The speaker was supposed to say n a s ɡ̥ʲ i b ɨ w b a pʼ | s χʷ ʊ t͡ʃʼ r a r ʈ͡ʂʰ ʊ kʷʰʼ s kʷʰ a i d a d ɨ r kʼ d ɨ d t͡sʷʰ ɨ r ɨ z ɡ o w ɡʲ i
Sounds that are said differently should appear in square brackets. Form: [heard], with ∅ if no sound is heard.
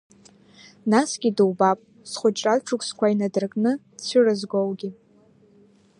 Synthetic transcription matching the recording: n a s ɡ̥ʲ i [d] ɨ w b a pʼ | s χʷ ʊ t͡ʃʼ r a [l] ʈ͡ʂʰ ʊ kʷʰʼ s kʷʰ a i [n] a d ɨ r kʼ [n] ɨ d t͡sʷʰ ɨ r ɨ z ɡ o w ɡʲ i